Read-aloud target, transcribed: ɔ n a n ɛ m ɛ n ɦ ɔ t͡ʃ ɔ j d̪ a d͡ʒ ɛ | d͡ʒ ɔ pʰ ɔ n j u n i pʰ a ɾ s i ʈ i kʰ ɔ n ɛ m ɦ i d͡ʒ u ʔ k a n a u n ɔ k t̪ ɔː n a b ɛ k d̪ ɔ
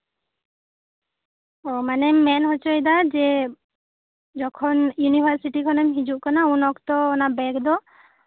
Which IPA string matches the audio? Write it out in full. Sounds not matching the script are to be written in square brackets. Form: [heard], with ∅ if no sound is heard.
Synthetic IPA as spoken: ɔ [m] a n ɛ m ɛ n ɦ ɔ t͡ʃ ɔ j d̪ a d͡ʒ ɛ | d͡ʒ ɔ [kʰ] ɔ n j u n i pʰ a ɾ s i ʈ i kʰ ɔ n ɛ m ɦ i d͡ʒ u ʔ k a n a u n ɔ k t̪ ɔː n a b ɛ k d̪ ɔ